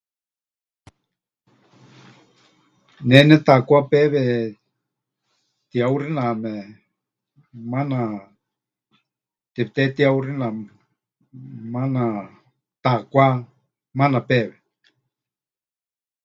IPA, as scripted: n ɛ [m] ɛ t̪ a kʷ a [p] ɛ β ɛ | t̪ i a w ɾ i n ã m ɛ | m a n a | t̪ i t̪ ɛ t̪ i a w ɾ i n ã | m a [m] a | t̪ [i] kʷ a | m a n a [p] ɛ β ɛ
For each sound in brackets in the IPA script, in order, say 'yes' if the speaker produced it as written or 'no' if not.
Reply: no, yes, no, no, yes

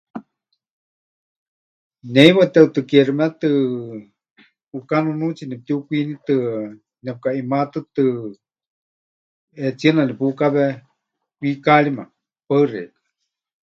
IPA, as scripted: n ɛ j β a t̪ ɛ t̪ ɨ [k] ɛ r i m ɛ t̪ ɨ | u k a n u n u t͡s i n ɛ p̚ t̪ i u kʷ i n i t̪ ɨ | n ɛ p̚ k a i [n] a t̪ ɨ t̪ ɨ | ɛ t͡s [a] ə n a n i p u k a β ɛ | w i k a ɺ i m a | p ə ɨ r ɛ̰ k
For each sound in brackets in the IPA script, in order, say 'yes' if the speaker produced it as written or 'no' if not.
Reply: yes, no, no

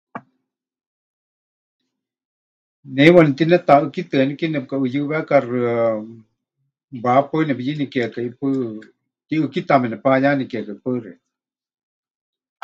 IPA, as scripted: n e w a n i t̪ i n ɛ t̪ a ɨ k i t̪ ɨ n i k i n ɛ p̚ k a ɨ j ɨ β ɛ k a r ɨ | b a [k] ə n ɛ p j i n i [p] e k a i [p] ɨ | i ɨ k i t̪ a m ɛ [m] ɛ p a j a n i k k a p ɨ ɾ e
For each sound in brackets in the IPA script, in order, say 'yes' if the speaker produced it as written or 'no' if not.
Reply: no, no, yes, no

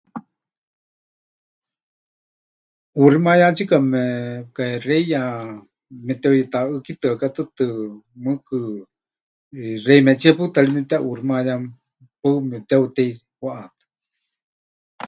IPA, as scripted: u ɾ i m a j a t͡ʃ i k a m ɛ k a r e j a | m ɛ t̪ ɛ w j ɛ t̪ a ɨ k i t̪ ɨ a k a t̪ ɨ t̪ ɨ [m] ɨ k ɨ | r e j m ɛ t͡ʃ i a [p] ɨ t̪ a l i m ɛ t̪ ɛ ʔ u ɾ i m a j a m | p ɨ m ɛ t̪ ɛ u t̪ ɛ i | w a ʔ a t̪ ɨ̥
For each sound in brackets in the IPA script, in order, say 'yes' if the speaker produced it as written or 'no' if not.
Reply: yes, yes

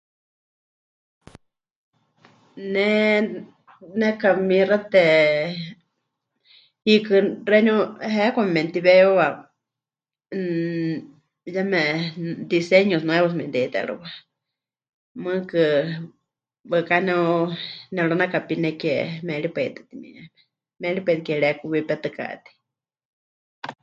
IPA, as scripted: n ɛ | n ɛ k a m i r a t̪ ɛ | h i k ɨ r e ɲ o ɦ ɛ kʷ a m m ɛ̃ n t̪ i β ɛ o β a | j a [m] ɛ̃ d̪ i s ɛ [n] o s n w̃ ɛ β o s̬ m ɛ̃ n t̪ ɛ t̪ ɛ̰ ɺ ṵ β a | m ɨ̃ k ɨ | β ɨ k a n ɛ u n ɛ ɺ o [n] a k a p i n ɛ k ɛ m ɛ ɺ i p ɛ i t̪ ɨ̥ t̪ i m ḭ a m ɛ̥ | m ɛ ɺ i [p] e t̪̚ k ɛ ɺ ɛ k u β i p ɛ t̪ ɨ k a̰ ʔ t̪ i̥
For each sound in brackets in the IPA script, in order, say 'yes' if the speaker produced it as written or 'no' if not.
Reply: yes, no, yes, yes

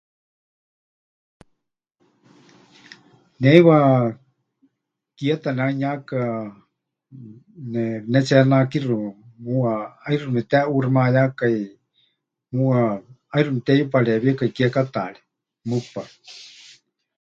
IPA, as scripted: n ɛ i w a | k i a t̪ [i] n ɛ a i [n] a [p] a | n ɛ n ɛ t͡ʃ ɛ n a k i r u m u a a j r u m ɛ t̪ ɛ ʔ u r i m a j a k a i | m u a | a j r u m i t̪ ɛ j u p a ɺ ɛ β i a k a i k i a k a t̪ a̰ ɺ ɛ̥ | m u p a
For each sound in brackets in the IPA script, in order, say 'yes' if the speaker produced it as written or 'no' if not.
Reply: no, no, no

